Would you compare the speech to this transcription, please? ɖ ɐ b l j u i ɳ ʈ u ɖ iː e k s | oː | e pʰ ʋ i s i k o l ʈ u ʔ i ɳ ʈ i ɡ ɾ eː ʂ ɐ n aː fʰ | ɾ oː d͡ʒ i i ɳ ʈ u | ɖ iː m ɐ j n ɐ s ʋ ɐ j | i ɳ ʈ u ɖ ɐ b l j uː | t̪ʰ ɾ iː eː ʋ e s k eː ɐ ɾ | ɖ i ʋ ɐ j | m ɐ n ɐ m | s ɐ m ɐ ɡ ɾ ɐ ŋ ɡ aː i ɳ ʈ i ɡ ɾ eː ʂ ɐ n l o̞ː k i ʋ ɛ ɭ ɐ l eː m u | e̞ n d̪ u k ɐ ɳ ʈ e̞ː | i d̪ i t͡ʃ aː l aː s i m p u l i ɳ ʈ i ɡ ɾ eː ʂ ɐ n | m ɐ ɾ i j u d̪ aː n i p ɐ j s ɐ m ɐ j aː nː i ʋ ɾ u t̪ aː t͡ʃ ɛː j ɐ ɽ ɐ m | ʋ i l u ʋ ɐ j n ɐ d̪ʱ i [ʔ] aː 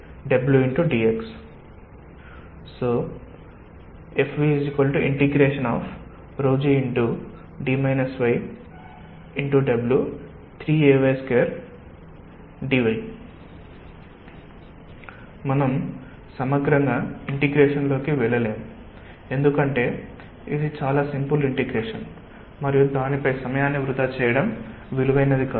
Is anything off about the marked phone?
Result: yes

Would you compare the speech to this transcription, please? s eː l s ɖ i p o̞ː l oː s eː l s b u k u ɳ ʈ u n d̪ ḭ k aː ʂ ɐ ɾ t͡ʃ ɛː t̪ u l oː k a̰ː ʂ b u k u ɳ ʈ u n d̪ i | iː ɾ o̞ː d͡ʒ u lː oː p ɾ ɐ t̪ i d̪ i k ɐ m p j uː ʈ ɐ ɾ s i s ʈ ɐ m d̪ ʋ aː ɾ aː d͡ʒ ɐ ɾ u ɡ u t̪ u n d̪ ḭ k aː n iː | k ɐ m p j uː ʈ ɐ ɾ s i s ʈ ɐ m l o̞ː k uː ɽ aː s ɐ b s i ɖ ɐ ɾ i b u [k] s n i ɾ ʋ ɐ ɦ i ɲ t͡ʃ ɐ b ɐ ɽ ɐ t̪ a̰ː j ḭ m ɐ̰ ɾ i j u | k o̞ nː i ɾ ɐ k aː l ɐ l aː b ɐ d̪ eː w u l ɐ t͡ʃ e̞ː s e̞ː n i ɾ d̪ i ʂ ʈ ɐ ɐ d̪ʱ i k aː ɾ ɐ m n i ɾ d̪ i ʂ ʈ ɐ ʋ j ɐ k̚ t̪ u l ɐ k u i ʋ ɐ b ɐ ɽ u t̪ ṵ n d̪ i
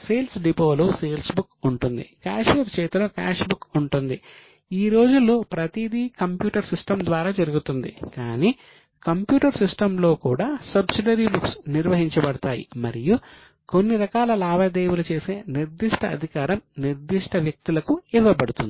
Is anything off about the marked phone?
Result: no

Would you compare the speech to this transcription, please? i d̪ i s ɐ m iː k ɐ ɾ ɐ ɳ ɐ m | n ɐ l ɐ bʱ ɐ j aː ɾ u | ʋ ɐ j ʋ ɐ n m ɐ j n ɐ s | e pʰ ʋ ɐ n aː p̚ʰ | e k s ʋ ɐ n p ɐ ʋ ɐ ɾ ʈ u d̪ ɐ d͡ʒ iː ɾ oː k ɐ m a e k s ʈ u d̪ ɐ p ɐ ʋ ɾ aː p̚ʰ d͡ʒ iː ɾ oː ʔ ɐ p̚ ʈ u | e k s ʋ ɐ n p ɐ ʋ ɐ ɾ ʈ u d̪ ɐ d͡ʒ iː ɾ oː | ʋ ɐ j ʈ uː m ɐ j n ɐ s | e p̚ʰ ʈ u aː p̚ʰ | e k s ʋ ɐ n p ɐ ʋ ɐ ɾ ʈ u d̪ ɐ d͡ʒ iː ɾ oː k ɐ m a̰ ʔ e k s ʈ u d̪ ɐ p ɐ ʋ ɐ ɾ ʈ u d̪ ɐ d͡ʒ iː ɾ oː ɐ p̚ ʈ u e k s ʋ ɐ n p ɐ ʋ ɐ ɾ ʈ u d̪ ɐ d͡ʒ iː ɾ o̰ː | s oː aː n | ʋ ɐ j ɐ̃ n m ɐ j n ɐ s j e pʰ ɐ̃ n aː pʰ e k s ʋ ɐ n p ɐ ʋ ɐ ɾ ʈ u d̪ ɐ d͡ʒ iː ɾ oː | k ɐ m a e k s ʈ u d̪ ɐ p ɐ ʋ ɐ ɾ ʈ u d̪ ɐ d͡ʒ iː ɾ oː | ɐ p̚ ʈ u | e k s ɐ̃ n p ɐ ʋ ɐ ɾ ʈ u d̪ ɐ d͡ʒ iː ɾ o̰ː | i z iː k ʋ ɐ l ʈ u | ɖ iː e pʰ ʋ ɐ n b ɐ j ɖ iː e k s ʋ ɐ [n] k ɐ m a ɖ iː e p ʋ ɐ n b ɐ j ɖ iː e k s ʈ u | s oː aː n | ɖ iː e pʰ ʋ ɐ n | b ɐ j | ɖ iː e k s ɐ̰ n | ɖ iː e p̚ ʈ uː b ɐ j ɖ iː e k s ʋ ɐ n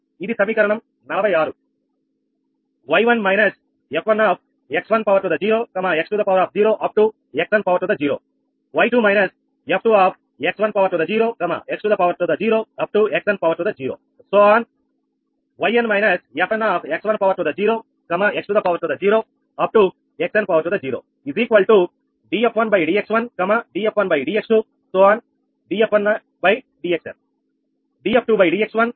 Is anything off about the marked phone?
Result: no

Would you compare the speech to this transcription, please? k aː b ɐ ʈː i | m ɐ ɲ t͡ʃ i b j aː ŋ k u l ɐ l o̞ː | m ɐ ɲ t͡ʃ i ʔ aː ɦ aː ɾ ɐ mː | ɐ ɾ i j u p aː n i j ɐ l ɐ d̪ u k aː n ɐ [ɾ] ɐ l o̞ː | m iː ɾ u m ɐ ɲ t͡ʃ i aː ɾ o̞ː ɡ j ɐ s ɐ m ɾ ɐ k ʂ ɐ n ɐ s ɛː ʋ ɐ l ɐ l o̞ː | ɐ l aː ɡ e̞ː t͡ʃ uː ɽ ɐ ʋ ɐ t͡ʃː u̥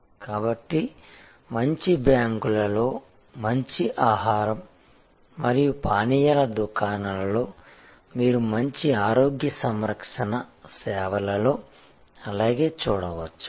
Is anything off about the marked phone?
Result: yes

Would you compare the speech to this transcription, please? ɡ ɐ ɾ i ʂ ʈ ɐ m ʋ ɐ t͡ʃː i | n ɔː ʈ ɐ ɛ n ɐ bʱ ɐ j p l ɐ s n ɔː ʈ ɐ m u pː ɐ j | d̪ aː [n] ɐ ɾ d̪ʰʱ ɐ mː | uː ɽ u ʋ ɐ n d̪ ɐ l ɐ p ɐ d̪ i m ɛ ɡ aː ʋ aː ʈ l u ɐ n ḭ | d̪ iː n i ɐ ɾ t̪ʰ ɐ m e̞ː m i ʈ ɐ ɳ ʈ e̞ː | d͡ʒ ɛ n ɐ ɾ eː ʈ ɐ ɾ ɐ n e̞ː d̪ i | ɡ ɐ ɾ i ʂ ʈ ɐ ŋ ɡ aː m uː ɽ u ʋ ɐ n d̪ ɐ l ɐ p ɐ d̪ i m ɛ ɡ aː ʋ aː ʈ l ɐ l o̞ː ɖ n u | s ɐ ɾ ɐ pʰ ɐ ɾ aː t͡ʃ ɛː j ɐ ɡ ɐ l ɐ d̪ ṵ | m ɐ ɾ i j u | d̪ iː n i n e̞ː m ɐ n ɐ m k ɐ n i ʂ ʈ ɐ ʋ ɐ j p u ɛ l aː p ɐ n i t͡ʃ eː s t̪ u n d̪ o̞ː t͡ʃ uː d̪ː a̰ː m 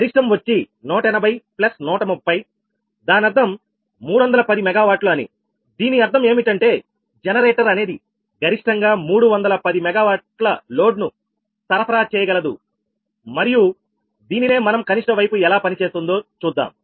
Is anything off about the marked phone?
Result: no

